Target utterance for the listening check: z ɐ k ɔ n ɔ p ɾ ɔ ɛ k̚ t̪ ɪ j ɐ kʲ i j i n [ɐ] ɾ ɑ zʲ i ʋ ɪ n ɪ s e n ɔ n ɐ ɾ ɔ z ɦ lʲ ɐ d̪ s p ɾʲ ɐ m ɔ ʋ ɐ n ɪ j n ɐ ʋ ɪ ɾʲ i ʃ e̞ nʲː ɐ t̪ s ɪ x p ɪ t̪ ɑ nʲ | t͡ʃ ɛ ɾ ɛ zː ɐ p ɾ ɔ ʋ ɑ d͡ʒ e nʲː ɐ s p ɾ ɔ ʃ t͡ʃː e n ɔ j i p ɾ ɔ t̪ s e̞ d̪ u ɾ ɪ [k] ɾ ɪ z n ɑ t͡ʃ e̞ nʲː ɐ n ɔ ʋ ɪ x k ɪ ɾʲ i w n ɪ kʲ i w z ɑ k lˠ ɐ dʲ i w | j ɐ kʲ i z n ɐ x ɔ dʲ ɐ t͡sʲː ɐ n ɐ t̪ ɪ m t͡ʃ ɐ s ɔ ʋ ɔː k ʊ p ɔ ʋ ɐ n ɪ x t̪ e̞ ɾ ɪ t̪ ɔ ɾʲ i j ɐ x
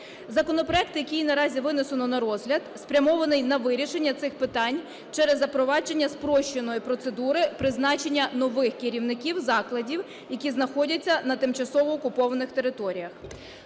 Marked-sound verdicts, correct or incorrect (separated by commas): correct, incorrect